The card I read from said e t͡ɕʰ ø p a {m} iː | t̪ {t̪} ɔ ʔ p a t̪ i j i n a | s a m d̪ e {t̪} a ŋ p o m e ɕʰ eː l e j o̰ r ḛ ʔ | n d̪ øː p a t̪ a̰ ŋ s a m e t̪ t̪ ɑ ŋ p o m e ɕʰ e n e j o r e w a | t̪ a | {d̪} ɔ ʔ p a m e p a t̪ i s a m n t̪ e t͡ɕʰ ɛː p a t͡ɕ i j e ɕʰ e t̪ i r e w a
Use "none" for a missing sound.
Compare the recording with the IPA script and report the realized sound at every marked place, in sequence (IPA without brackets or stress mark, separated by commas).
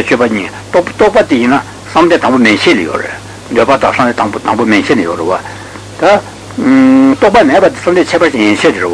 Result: ɲ, t̪, t̪, t̪